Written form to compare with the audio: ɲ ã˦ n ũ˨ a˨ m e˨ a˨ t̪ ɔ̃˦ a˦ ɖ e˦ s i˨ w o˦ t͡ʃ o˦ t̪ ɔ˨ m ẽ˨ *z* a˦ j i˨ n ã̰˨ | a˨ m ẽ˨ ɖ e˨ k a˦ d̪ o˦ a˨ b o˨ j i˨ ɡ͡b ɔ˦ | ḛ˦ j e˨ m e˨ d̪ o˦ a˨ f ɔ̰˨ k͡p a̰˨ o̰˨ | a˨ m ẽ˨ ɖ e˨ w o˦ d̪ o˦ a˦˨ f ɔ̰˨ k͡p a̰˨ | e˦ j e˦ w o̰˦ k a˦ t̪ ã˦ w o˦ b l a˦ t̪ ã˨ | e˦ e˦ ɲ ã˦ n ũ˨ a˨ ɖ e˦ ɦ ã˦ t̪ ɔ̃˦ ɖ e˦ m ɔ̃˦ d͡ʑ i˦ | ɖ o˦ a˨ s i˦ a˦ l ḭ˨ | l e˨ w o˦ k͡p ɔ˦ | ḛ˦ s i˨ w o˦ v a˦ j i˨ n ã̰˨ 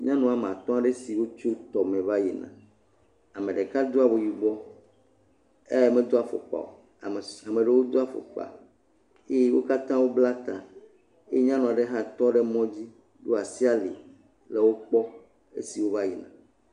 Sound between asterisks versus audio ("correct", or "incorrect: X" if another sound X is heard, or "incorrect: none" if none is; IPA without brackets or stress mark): incorrect: v